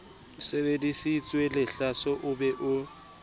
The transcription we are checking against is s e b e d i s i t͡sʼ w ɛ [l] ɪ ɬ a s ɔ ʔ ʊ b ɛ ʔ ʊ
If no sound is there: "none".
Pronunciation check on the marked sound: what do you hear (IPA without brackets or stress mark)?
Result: l